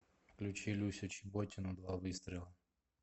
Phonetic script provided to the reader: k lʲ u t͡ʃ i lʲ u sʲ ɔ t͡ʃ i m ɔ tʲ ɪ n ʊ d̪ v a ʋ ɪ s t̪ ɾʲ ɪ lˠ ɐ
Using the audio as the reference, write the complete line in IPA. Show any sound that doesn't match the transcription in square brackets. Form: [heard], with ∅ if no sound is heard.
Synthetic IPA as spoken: k lʲ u t͡ʃ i lʲ u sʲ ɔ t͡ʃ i [b] ɔ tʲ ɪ n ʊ d̪ [ʋ] a ʋ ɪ s t̪ ɾʲ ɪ lˠ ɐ